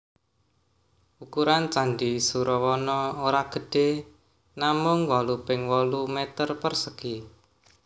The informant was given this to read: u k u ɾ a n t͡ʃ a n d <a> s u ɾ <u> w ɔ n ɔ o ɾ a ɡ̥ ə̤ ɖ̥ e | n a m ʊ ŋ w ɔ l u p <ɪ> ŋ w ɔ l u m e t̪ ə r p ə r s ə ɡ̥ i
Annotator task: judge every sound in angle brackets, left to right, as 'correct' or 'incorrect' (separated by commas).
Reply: incorrect, incorrect, correct